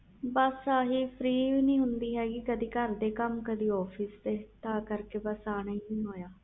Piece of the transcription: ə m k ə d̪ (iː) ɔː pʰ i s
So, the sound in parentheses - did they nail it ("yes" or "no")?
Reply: yes